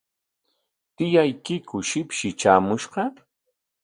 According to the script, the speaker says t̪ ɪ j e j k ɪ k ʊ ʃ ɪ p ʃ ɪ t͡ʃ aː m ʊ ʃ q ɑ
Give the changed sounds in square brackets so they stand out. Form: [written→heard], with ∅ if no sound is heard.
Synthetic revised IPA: t̪ ɪ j [e→a] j k ɪ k ʊ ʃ ɪ p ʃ ɪ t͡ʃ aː m ʊ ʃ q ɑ